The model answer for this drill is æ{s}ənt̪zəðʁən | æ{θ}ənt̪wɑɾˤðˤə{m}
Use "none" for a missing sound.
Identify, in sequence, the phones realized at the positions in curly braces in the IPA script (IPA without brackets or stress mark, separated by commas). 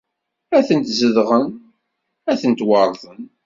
θ, θ, n